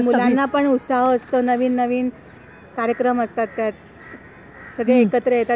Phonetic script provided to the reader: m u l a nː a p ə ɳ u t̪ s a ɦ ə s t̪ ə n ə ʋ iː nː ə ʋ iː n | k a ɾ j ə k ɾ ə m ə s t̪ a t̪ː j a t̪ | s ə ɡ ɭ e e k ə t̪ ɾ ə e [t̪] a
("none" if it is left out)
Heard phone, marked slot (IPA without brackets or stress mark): t̪